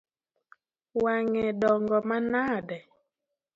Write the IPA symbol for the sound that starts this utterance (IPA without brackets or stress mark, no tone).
w